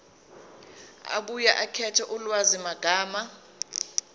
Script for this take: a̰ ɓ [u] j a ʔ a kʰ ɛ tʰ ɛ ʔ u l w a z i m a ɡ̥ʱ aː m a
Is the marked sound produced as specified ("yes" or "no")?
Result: yes